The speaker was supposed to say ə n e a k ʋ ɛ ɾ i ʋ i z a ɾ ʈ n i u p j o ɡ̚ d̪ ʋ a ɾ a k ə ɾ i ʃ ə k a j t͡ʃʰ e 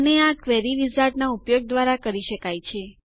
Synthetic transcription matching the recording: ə n e a k ʋ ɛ ɾ i ʋ i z a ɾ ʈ n a u p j o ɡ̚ d̪ ʋ a ɾ a k ə ɾ i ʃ ə k a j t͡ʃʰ e